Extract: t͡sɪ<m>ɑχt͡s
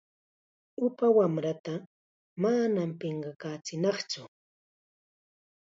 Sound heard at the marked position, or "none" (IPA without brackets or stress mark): n